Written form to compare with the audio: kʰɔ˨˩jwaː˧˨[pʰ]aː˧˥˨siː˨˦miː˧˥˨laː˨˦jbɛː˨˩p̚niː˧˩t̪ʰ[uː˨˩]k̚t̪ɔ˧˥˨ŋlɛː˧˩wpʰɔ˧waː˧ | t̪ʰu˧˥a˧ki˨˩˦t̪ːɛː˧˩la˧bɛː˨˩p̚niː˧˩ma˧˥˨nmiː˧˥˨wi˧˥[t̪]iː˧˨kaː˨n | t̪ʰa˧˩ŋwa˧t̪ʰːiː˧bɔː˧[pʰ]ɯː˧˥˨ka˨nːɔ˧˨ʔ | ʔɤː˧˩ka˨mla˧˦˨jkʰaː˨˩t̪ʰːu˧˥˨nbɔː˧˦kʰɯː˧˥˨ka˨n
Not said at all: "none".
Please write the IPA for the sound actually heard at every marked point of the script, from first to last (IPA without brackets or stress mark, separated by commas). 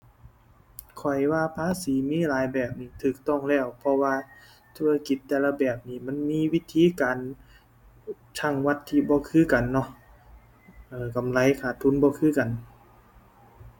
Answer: pʰ, ɯː˨˩, t̪ʰ, kʰ